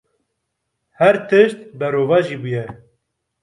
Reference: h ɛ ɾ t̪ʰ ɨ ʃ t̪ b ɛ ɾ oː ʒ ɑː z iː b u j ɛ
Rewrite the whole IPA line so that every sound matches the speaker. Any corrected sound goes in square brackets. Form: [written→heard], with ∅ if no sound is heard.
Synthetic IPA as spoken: h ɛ ɾ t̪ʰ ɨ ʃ t̪ b ɛ ɾ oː [ʒ→v] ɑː [z→ʒ] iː b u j ɛ

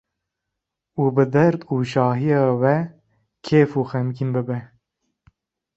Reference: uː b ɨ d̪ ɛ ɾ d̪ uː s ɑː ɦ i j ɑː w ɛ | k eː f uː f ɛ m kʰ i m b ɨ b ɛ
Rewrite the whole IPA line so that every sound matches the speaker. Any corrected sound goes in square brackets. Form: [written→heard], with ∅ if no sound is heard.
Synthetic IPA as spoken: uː b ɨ d̪ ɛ ɾ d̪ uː [s→ʃ] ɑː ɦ i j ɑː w ɛ | [k→kʰ] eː f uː [f→x] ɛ m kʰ i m b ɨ b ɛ

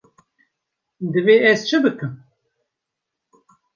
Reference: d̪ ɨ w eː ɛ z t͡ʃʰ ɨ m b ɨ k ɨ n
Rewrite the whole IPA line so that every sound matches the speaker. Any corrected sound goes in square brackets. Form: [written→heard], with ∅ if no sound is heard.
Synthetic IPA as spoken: d̪ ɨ [w→v] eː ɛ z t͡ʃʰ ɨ [m→∅] b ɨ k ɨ [n→m]

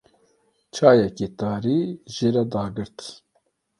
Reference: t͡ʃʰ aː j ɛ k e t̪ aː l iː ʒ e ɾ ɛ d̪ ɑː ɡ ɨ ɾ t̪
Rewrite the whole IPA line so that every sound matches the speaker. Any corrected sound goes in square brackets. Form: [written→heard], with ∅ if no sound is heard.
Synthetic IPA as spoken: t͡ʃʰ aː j ɛ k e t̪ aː [l→ɾ] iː ʒ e ɾ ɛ d̪ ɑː ɡ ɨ ɾ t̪

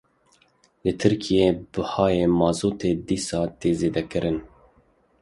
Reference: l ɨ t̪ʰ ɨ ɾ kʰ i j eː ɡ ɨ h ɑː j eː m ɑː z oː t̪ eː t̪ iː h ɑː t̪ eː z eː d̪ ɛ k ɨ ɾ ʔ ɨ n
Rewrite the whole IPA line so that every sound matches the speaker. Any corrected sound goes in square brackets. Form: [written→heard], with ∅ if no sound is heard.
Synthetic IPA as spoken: l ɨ t̪ʰ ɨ ɾ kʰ i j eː [ɡ→b] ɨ h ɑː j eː m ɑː z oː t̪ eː [t̪→d̪] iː [h→s] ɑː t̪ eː z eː d̪ ɛ k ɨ ɾ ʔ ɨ n

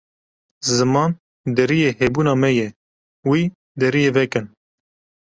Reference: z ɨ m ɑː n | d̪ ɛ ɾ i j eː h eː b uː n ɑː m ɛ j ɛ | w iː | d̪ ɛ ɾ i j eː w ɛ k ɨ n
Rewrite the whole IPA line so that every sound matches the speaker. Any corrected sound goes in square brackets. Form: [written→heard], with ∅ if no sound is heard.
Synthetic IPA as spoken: z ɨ m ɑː n | d̪ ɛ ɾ i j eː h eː b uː n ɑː m ɛ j ɛ | w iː | d̪ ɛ ɾ i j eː [w→v] ɛ k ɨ n

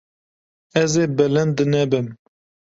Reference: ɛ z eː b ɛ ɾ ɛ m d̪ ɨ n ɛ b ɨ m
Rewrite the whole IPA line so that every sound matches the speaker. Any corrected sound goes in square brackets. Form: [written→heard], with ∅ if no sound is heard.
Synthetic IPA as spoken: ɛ z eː b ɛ [ɾ→l] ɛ [m→n] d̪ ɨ n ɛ b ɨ m

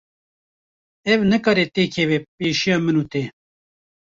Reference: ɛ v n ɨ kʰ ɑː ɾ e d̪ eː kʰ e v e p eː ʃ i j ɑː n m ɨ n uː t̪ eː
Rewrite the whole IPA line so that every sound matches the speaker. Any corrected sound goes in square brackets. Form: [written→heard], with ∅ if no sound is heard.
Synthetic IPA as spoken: ɛ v n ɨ [kʰ→k] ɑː ɾ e [d̪→t̪] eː kʰ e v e p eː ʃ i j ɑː [n→∅] m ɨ n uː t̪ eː

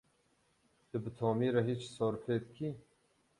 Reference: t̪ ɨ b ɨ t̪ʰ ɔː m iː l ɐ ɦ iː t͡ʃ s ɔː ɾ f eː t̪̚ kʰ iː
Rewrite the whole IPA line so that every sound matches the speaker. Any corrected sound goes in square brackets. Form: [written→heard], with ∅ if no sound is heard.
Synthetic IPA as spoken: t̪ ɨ b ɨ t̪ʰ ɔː m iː [l→ɾ] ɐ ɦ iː t͡ʃ s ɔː ɾ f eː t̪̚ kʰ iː

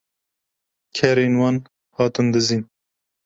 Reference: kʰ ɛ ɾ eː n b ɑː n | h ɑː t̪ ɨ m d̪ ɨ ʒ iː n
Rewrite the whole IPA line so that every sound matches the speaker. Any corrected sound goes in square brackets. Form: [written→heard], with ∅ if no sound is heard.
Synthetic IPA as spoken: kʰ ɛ ɾ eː n [b→w] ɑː n | h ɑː t̪ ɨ [m→n] d̪ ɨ [ʒ→z] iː n

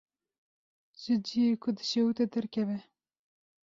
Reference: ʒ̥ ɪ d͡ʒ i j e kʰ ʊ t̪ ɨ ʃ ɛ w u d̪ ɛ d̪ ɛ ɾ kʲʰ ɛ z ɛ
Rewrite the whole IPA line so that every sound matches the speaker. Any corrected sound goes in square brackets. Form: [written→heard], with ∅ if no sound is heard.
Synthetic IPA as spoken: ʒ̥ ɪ d͡ʒ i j e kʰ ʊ [t̪→d̪] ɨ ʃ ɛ w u [d̪→t̪] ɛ d̪ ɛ ɾ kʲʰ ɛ [z→v] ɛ

